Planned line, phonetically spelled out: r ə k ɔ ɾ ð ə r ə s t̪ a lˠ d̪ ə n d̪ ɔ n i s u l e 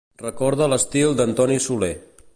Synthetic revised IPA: r ə k ɔ ɾ ð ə l ə s t̪ i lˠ d̪ ə n t̪ ɔ n i s u l e